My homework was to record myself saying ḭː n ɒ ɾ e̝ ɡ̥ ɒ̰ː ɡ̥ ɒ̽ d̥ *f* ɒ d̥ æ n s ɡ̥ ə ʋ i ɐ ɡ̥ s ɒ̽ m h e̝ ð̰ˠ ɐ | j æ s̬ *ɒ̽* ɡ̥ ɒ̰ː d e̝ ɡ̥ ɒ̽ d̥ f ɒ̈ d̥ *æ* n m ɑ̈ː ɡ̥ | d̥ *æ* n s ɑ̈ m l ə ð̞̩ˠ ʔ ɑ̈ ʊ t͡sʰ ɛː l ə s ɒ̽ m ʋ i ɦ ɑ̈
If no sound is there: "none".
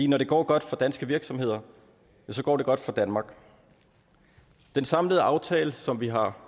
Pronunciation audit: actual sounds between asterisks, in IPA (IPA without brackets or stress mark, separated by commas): f, ɒ̽, æ, e